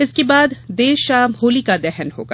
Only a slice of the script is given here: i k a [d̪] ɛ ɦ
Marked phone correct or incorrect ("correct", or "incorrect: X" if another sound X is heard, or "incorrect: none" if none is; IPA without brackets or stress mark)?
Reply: correct